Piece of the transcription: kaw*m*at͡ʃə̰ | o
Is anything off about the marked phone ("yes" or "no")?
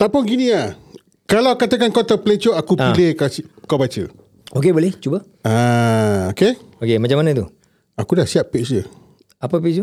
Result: yes